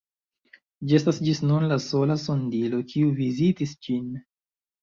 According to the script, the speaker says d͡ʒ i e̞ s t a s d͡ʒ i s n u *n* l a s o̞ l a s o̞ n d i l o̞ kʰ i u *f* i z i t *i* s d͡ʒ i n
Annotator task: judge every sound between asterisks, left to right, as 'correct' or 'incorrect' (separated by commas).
correct, incorrect, correct